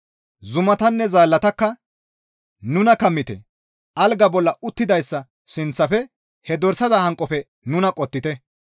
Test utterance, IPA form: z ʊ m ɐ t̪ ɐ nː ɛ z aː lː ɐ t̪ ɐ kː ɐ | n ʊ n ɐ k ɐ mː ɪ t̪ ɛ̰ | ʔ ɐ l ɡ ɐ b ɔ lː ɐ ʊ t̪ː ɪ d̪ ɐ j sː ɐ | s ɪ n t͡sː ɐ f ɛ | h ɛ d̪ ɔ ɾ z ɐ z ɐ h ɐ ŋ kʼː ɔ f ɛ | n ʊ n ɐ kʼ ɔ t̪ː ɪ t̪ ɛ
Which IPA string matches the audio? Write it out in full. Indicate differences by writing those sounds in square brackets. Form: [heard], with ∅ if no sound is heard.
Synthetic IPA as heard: z ʊ m ɐ t̪ ɐ nː ɛ z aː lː ɐ t̪ ɐ kː ɐ | n ʊ n ɐ k ɐ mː ɪ t̪ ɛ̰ | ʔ ɐ l ɡ ɐ b ɔ lː ɐ ʊ t̪ː ɪ d̪ ɐ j sː ɐ | s ɪ n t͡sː ɐ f ɛ | h ɛ d̪ ɔ ɾ [s] ɐ z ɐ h ɐ ŋ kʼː ɔ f ɛ | n ʊ n ɐ kʼ ɔ t̪ː ɪ t̪ ɛ